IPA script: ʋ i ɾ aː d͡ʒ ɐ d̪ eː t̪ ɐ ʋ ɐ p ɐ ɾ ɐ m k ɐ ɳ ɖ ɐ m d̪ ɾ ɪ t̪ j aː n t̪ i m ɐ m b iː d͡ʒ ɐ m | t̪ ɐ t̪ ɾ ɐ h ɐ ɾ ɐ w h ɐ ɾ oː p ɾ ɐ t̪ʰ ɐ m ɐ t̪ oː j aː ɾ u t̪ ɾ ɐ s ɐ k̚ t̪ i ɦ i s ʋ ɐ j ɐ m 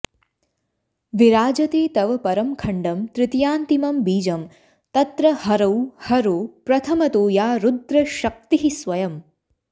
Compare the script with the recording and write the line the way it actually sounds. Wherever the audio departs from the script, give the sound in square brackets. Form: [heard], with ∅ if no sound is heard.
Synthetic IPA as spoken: ʋ i ɾ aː d͡ʒ ɐ [t̪] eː t̪ ɐ ʋ ɐ p ɐ ɾ ɐ m [kʰ] ɐ ɳ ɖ ɐ m [t̪] ɾ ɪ t̪ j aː n t̪ i m ɐ m b iː d͡ʒ ɐ m | t̪ ɐ t̪ ɾ ɐ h ɐ ɾ ɐ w h ɐ ɾ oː p ɾ ɐ t̪ʰ ɐ m ɐ t̪ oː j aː ɾ u [d̪] ɾ ɐ [ʃ] ɐ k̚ t̪ i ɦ i s ʋ ɐ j ɐ m